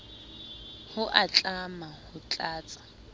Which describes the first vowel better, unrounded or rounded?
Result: rounded